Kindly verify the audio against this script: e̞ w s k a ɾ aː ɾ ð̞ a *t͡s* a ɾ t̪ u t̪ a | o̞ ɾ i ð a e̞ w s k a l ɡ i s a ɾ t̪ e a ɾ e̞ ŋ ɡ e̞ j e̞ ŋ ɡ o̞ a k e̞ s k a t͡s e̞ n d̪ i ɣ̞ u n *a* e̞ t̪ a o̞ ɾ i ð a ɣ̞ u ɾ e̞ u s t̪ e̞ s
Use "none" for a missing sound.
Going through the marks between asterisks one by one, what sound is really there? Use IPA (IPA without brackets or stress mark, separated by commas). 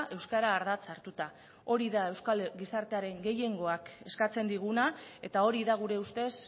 t͡s, a